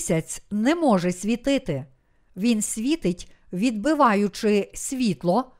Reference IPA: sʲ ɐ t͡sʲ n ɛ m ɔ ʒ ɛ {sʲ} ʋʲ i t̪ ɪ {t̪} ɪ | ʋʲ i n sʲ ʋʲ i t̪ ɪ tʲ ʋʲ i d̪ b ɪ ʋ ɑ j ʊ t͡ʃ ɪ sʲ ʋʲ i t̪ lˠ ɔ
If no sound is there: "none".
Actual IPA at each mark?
sʲ, t̪

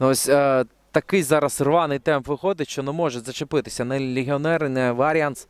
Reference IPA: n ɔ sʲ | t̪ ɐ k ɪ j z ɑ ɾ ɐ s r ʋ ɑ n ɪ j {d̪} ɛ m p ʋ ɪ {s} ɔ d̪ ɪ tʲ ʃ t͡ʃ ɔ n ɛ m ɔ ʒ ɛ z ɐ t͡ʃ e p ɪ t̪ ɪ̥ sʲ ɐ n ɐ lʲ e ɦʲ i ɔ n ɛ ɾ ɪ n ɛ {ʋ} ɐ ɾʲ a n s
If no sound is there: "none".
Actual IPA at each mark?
t̪, x, ʋ

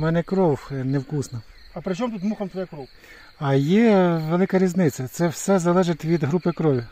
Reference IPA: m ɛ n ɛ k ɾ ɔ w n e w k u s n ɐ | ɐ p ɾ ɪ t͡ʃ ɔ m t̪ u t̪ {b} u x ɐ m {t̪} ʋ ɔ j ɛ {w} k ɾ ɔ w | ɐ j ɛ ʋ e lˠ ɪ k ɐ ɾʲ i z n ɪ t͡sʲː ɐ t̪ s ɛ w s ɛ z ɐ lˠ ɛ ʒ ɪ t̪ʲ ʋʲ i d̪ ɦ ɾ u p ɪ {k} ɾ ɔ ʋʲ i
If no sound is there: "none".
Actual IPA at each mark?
m, t̪, none, k

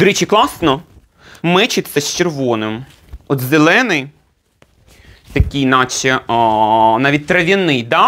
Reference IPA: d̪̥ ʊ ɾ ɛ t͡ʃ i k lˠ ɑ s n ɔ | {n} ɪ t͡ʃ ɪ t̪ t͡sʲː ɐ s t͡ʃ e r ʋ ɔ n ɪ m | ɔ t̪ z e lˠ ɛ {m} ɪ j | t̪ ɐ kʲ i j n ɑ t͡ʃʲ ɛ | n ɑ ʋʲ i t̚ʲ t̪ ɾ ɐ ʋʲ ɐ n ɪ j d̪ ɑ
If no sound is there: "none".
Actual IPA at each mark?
m, n

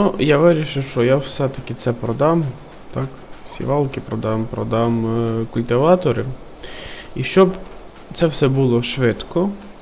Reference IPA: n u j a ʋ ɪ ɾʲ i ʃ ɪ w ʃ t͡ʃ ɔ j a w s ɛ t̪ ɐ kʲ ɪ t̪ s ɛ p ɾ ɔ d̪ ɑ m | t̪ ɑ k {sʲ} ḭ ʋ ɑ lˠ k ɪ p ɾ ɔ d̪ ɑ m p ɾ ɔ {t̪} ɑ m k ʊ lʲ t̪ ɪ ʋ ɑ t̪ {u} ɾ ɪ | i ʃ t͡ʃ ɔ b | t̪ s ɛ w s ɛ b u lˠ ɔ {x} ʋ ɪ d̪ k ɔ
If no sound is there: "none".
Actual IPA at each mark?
sʲ, d̪, ɔ, ʃ

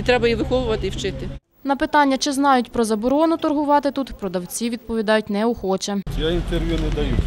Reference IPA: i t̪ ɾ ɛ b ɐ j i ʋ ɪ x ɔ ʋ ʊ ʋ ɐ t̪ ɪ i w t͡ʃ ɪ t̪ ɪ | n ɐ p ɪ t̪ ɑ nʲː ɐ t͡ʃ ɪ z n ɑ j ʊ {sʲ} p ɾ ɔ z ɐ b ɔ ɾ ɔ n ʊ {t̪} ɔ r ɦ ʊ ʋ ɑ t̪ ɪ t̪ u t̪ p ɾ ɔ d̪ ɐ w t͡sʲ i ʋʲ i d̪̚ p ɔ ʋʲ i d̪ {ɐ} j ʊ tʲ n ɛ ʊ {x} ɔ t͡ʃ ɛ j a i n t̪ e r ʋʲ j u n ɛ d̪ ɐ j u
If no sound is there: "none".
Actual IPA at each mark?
tʲ, t̪, ɑ, x

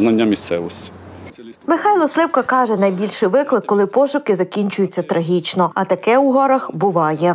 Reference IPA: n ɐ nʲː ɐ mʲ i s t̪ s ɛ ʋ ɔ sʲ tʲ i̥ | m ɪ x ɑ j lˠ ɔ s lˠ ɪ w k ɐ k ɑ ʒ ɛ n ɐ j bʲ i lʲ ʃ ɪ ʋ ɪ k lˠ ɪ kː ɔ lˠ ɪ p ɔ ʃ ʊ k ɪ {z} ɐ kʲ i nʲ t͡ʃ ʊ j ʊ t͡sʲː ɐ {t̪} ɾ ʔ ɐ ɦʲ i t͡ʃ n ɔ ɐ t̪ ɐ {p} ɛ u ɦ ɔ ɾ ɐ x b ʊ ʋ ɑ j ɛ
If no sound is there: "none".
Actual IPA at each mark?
z, t̪, k

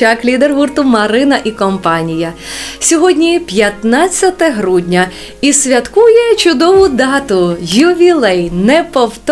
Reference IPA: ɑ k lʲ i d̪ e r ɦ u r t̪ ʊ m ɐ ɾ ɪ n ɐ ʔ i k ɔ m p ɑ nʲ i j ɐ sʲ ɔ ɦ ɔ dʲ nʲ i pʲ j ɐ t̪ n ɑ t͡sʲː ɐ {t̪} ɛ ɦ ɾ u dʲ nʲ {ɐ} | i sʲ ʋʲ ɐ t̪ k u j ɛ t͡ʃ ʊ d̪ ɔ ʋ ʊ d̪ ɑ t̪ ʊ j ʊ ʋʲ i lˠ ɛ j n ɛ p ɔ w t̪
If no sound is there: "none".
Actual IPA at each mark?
t̪, ɐ

